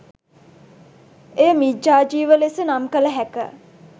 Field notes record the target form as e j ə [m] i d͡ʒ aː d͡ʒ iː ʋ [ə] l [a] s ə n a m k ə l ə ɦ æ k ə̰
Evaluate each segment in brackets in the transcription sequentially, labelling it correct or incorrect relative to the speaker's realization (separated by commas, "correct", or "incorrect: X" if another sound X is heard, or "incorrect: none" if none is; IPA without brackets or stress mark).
correct, correct, incorrect: e